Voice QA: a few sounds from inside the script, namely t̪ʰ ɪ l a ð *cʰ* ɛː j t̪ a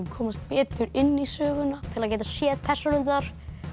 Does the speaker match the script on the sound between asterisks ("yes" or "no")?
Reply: no